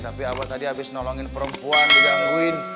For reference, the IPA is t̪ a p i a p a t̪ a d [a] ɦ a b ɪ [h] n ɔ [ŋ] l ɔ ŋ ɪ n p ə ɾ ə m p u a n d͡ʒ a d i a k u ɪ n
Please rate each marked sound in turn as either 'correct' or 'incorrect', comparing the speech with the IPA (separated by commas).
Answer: incorrect, incorrect, incorrect